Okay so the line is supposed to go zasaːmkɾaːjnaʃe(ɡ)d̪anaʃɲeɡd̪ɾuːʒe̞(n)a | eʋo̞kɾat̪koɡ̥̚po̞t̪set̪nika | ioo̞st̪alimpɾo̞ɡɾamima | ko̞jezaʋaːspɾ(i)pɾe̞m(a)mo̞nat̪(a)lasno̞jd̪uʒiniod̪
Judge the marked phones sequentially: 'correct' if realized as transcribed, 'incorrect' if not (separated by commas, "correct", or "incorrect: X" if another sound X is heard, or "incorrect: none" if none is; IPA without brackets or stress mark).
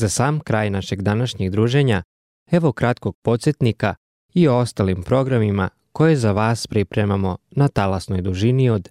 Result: correct, incorrect: ɲ, correct, correct, correct